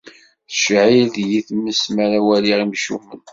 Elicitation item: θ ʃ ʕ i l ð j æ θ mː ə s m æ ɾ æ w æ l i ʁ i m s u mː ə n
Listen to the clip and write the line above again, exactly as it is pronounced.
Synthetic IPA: θ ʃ ʕ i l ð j i θ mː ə s m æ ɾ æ w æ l i ʁ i m ʃ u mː ə n